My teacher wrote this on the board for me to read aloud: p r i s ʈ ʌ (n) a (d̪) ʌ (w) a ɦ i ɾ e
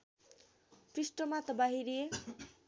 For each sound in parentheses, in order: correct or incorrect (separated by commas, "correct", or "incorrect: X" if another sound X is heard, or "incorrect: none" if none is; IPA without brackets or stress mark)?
incorrect: m, incorrect: t̪, incorrect: b